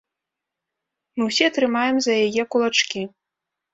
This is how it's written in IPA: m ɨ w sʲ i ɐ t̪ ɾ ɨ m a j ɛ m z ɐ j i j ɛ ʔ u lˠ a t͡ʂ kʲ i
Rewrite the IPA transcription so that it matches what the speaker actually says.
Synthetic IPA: m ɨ w sʲ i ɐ t̪ ɾ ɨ m a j ɛ m z ɐ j a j ɛ k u lˠ a t͡ʂ kʲ i